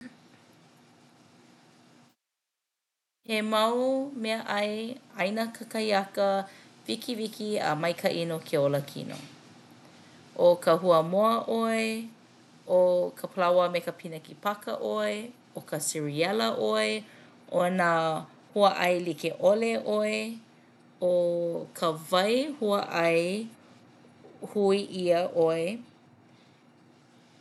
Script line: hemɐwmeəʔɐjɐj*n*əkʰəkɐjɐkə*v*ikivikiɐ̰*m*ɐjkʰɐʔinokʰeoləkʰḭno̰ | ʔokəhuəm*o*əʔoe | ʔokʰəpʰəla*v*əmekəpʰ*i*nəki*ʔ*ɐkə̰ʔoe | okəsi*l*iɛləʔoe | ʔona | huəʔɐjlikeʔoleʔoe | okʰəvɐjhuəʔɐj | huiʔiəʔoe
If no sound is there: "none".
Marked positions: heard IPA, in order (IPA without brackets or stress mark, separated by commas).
n, v, m, o, w, i, p, ɹ